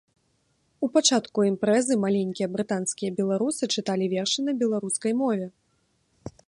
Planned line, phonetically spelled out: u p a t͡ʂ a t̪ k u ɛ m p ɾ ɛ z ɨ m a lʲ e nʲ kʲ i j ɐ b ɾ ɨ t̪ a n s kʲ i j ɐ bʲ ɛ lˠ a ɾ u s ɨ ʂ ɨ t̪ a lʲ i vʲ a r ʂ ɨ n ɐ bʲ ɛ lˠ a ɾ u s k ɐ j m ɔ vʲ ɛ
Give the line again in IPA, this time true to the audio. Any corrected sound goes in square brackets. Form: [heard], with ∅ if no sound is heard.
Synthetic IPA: u p a t͡ʂ a t̪ k u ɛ m p ɾ ɛ z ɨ m a lʲ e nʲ kʲ i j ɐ b ɾ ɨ t̪ a n s kʲ i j ɐ bʲ ɛ lˠ a ɾ u s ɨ [t͡ʂ] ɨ t̪ a lʲ i vʲ [ɛ] r ʂ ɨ n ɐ bʲ ɛ lˠ a ɾ u s k ɐ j m ɔ vʲ ɛ